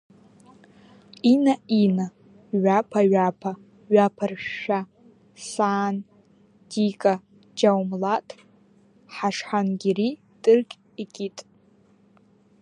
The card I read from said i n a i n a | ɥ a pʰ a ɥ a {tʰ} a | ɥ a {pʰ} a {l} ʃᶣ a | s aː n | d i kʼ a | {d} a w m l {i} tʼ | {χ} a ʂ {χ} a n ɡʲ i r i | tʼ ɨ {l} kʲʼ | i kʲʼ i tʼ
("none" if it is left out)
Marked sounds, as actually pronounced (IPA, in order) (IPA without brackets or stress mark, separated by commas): pʰ, pʰ, r, d͡ʒ, a, ħ, ħ, r